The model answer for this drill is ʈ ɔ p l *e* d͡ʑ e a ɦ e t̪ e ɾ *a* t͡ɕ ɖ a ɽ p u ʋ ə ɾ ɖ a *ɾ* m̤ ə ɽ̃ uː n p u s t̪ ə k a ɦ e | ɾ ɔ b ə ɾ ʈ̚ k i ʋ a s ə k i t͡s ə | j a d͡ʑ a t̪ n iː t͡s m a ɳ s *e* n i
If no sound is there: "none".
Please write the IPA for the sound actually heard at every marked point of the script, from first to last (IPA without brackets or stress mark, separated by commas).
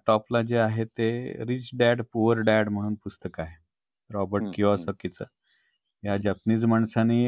a, i, ɽ, a